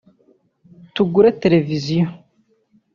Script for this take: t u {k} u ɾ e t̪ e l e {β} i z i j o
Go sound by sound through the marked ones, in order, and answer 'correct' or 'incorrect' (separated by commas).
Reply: incorrect, incorrect